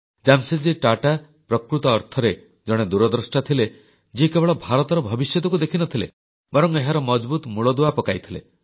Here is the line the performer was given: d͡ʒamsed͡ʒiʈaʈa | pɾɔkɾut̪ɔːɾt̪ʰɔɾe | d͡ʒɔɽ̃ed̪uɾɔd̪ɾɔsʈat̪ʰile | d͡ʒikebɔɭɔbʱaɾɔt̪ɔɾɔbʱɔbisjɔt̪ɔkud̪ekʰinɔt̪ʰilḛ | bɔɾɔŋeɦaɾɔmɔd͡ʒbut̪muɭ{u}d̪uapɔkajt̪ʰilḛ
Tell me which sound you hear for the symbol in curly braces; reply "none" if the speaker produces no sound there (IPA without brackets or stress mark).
ɔ